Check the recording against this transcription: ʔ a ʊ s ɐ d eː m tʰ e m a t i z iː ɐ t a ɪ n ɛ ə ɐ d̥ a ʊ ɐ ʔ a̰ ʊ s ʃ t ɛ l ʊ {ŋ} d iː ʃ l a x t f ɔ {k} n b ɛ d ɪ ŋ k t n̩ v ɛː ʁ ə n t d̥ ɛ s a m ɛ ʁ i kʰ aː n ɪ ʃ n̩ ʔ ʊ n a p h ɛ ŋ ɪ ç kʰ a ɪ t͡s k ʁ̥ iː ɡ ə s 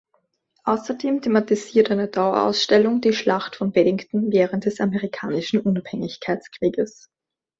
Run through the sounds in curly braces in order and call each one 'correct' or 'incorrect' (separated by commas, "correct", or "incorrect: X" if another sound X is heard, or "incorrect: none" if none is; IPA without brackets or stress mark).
correct, incorrect: none